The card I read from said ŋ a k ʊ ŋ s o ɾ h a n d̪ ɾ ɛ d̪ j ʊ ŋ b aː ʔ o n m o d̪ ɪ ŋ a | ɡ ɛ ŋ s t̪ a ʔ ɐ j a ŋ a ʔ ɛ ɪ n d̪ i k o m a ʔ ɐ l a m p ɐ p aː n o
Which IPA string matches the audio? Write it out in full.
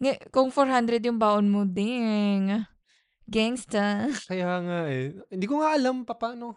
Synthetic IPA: ŋ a k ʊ ŋ f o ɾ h a n d̪ ɾ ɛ d̪ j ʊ ŋ b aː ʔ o n m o d̪ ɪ ŋ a | ɡ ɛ ŋ s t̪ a k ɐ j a ŋ a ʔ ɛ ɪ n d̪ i k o ŋ a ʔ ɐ l a m p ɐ p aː n o